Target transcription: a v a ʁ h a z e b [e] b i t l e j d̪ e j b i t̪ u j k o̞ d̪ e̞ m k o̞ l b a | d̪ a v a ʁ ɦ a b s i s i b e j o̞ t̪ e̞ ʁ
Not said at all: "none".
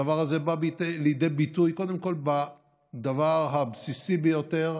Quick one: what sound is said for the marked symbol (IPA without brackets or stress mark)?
a